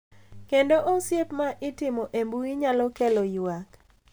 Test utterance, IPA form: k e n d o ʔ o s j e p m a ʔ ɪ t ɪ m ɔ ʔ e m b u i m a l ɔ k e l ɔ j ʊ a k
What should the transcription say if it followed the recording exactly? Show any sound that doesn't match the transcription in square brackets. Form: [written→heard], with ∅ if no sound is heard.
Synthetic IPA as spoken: k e n d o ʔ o s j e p m a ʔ ɪ t ɪ m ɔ ʔ e m b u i [m→ɲ] a l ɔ k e l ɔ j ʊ a k